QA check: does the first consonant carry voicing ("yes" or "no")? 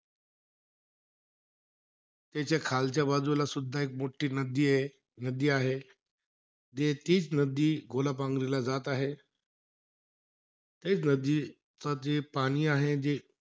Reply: no